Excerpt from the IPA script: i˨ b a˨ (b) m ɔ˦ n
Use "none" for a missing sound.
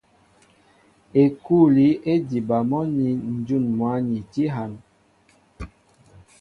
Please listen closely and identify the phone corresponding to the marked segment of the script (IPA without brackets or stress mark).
none